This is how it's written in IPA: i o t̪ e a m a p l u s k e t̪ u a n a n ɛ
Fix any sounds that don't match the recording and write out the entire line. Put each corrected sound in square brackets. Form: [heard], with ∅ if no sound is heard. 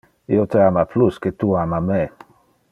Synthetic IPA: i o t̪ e a m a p l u s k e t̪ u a [m] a [m] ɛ